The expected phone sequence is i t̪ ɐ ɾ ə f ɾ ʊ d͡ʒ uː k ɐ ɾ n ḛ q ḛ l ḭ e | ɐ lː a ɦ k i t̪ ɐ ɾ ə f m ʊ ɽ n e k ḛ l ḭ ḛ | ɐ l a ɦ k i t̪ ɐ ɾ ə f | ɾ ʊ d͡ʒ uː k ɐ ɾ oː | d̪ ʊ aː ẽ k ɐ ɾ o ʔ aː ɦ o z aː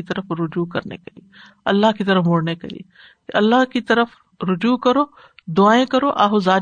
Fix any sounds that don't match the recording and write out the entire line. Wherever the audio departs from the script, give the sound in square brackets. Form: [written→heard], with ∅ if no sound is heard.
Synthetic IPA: i t̪ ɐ ɾ ə f ɾ ʊ d͡ʒ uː k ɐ ɾ n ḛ [q→k] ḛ l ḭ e | ɐ lː a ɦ k i t̪ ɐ ɾ ə f m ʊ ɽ n e k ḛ l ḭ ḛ | ɐ [l→lː] a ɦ k i t̪ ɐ ɾ ə f | ɾ ʊ d͡ʒ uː k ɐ ɾ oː | d̪ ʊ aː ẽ k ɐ ɾ o ʔ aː ɦ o z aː